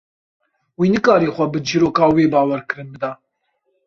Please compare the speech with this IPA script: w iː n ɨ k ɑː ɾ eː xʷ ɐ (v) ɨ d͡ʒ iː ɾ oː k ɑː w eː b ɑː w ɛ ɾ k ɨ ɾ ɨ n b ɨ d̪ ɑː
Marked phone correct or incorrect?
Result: incorrect